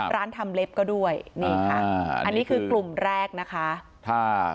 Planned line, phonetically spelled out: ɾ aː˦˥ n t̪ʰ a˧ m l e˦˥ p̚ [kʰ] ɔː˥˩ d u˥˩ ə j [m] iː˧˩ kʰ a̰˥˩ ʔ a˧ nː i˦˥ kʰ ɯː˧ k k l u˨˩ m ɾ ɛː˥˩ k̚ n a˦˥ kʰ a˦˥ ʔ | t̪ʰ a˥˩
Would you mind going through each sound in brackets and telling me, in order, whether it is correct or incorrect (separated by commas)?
incorrect, incorrect